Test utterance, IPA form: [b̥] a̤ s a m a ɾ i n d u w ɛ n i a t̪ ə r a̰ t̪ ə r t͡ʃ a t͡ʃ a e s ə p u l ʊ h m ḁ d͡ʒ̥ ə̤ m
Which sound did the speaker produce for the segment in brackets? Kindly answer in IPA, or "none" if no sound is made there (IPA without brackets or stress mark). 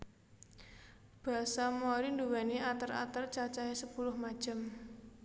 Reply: b̥